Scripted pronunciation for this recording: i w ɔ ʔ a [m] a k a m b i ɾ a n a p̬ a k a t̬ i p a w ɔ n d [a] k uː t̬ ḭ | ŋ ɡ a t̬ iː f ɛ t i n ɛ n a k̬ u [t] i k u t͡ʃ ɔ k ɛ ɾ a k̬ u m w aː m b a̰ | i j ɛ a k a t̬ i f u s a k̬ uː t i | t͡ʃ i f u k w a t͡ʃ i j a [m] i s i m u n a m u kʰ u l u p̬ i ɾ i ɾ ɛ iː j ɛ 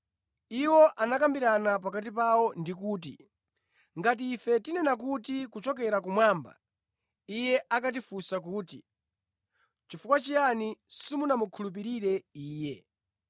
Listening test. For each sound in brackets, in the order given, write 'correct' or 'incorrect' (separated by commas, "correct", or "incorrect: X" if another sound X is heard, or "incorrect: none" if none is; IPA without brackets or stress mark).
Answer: incorrect: n, incorrect: i, correct, incorrect: n